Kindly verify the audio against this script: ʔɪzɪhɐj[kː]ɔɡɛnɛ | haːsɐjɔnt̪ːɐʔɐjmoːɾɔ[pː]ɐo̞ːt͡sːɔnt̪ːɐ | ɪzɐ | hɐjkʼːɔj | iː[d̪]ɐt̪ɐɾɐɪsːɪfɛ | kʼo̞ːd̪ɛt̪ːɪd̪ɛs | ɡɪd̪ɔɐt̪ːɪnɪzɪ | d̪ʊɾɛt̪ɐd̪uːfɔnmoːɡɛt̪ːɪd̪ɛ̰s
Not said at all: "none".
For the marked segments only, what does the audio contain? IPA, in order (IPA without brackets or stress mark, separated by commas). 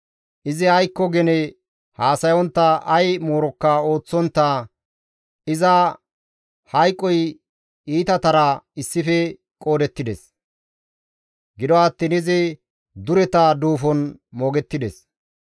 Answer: kː, kː, t̪